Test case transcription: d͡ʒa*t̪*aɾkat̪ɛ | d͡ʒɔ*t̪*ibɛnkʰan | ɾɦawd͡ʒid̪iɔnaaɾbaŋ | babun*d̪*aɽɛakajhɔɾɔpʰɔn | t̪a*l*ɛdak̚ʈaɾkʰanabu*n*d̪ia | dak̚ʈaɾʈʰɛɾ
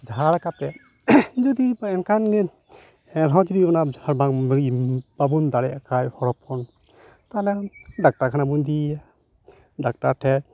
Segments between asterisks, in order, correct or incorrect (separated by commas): incorrect, incorrect, correct, correct, correct